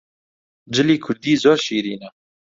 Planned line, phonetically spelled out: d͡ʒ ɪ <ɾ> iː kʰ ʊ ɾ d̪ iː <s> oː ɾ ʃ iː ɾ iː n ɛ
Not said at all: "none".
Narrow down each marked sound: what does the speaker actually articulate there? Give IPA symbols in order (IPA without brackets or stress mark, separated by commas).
l, z